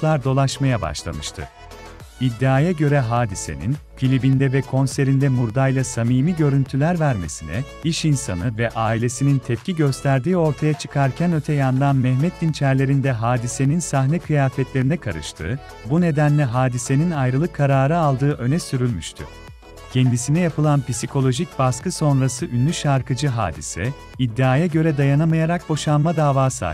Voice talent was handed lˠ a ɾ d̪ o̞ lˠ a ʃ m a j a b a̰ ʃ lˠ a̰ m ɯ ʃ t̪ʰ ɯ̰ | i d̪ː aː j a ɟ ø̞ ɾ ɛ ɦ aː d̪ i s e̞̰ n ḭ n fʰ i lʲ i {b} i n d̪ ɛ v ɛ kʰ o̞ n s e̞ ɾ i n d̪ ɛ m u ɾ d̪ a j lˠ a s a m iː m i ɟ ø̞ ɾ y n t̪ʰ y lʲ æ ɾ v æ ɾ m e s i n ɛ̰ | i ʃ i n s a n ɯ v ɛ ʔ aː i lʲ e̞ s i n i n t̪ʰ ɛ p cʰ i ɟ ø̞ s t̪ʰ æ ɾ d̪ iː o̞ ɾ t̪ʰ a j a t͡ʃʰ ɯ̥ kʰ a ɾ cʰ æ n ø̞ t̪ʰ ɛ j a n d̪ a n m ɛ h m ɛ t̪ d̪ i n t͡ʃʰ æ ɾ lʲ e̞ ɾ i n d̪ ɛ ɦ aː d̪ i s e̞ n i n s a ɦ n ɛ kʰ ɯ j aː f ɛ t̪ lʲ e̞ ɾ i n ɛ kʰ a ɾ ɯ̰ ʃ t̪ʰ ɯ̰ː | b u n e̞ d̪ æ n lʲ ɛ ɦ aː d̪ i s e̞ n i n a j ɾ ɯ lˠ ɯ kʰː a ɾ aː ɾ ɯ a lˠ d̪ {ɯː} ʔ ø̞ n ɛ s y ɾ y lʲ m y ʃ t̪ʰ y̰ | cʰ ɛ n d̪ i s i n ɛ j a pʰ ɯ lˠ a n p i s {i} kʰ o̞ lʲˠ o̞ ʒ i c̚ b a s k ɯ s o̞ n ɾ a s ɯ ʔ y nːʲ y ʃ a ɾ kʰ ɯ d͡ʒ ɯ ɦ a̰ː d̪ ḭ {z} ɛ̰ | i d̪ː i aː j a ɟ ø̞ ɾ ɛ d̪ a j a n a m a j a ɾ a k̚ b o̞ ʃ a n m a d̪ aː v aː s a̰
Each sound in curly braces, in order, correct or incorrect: correct, correct, correct, incorrect

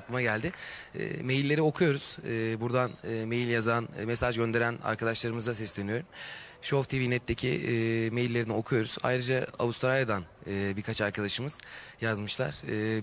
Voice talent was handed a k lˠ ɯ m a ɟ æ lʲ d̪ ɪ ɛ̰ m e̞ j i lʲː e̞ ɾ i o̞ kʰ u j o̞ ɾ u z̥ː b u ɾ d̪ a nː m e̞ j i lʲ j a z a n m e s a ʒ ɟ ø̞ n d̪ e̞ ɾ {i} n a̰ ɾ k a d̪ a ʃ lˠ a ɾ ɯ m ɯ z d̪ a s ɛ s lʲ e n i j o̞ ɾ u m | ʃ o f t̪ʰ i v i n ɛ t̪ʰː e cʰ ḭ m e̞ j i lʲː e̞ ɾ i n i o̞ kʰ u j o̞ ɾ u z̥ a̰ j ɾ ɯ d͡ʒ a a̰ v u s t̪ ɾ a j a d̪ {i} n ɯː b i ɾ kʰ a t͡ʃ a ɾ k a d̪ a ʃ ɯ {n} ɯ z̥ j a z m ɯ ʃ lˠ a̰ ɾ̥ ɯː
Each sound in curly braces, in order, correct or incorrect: incorrect, incorrect, incorrect

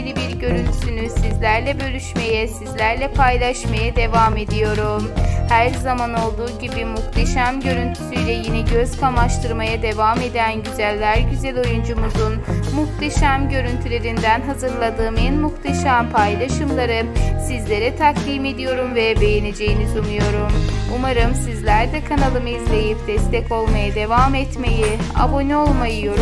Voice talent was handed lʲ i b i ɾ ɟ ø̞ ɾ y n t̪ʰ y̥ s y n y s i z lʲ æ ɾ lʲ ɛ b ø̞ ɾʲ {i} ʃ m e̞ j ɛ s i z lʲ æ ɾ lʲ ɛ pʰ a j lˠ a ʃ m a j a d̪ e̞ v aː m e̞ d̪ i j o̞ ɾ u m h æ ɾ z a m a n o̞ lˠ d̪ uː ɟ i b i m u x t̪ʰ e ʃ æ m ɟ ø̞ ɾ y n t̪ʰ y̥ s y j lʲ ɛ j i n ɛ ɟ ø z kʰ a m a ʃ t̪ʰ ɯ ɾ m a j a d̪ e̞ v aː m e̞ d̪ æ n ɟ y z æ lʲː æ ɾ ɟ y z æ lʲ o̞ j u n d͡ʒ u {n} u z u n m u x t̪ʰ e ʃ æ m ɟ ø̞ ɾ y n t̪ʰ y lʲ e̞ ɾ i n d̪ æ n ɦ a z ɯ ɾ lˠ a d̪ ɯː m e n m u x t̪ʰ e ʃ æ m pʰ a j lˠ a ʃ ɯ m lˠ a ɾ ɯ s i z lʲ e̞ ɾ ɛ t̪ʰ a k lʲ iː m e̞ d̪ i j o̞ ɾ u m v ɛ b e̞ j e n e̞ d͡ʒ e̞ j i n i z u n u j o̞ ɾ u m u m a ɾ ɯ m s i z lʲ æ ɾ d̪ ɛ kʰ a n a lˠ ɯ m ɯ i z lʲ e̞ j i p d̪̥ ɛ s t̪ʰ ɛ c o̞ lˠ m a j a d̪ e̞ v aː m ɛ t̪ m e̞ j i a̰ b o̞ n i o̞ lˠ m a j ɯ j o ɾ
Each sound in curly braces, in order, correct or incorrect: incorrect, incorrect

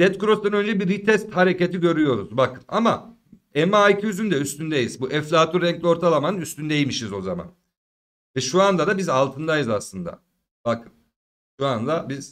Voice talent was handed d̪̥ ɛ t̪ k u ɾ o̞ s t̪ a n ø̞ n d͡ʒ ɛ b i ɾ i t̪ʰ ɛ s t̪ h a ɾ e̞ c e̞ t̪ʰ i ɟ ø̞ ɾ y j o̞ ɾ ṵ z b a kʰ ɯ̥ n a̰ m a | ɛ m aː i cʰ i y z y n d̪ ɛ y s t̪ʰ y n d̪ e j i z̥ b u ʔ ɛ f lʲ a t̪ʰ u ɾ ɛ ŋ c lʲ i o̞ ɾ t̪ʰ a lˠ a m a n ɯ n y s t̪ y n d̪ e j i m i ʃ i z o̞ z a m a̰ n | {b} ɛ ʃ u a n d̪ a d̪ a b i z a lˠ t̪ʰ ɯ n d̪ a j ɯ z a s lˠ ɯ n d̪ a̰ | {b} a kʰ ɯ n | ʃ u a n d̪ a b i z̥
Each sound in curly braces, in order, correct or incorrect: incorrect, correct

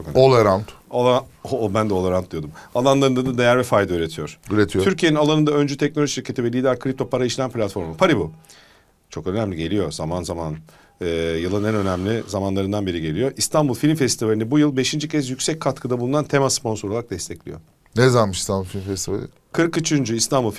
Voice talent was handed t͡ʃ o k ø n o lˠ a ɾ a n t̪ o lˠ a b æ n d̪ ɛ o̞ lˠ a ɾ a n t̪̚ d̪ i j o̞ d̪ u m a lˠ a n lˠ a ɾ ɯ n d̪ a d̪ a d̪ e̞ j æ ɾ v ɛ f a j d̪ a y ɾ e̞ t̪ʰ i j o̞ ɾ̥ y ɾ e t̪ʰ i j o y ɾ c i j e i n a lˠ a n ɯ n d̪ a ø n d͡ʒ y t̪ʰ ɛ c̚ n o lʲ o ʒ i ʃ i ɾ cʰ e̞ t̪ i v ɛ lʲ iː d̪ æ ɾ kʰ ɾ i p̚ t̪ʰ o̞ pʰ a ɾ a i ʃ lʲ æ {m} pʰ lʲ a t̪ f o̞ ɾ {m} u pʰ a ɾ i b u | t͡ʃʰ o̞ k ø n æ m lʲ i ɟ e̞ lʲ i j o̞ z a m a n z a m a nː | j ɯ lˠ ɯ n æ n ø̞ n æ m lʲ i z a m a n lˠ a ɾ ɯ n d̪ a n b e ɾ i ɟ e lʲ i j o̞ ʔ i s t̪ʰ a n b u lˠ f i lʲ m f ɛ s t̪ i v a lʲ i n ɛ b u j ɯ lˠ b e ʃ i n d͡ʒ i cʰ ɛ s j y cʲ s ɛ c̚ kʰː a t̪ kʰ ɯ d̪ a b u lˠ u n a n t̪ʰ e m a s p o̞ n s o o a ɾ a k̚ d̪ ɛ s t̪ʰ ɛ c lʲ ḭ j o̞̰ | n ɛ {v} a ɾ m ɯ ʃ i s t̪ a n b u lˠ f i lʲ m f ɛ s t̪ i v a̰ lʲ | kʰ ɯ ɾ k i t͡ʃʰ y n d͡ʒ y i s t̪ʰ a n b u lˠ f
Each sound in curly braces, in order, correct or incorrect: correct, correct, incorrect

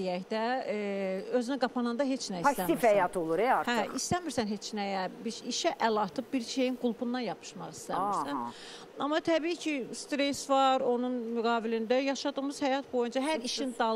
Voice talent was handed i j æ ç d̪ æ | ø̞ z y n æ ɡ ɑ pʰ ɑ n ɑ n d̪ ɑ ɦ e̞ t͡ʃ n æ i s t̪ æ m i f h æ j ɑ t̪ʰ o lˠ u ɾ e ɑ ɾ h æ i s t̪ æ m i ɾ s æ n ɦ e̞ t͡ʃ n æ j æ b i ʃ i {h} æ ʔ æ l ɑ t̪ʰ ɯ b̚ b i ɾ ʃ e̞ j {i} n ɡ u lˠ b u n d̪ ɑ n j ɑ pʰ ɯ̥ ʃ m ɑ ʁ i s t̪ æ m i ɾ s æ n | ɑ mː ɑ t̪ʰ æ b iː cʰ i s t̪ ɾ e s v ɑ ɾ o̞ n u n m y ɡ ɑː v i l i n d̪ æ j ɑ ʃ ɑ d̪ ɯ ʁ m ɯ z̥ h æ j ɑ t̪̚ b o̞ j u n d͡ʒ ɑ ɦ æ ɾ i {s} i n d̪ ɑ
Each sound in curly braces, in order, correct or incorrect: incorrect, correct, incorrect

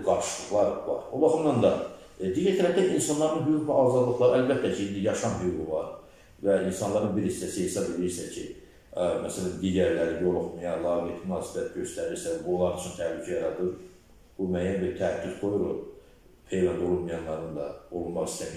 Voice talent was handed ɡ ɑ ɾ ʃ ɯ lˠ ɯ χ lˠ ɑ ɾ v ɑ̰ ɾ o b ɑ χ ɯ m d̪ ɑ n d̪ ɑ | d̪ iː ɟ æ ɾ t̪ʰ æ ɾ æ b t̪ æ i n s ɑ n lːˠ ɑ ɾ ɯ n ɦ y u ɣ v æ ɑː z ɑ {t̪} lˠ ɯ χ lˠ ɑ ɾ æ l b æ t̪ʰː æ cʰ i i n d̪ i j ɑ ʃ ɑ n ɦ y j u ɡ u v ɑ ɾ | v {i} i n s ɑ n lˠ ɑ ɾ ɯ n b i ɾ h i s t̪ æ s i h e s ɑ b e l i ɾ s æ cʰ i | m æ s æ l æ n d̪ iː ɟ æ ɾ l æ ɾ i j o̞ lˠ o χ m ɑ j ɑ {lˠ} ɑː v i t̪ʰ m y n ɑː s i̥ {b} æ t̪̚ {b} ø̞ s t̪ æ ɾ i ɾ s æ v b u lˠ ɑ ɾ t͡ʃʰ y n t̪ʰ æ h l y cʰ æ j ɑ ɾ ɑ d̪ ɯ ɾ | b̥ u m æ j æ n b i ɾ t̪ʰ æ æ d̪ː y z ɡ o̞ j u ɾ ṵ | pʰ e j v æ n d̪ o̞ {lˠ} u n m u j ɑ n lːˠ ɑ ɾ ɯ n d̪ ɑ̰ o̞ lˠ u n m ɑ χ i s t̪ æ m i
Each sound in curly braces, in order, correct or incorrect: incorrect, incorrect, correct, correct, incorrect, correct

